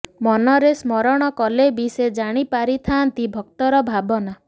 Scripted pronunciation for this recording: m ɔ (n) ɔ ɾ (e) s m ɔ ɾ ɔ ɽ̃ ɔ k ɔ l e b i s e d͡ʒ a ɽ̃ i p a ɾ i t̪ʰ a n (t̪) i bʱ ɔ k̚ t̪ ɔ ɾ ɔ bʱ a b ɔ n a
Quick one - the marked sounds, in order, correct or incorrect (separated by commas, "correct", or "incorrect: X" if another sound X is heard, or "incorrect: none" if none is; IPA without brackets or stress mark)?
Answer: correct, correct, correct